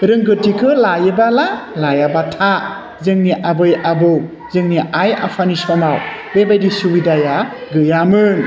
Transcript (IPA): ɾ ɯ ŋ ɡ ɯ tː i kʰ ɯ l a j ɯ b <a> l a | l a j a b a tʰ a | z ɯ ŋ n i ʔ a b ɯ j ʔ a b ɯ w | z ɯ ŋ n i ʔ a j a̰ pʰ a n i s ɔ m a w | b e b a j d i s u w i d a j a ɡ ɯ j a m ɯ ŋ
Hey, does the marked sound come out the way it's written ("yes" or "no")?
yes